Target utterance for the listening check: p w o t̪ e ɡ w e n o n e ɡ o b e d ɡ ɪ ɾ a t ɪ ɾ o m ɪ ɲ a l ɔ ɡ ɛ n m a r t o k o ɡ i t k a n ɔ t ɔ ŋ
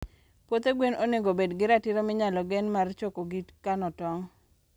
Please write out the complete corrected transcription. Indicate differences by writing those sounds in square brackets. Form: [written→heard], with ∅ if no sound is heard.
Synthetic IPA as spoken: p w o t̪ e ɡ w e n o n e ɡ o b e d ɡ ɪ ɾ a t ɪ ɾ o m ɪ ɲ a l ɔ ɡ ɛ n m a r [t→t͡ʃ] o k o ɡ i t k a n ɔ t ɔ ŋ